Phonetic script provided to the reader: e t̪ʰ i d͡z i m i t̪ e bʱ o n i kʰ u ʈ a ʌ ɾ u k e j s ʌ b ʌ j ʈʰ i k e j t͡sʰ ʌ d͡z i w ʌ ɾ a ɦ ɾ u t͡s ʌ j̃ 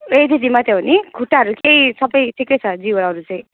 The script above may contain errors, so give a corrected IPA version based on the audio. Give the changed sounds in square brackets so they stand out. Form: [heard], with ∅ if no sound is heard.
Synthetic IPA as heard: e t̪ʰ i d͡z i m [a] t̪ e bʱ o n i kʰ u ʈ a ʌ ɾ u k e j s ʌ b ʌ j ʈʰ i k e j t͡sʰ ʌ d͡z i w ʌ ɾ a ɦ ɾ u t͡s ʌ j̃